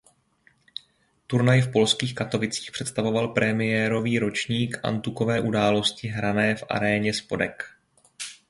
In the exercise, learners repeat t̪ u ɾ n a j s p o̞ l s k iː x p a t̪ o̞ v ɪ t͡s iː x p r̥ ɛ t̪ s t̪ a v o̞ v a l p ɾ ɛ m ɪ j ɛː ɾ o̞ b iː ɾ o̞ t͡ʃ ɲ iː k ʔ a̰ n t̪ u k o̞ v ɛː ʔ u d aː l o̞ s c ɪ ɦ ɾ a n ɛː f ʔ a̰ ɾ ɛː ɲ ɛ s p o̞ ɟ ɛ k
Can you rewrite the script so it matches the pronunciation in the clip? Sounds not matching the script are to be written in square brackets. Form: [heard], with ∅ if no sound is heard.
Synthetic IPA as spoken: t̪ u ɾ n a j [f] p o̞ l s k iː x [k] a t̪ o̞ v ɪ t͡s iː x p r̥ ɛ t̪ s t̪ a v o̞ v a l p ɾ ɛ m ɪ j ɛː ɾ o̞ [v] iː ɾ o̞ t͡ʃ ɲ iː k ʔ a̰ n t̪ u k o̞ v ɛː ʔ u d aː l o̞ s c ɪ ɦ ɾ a n ɛː f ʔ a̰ ɾ ɛː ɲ ɛ s p o̞ [d] ɛ k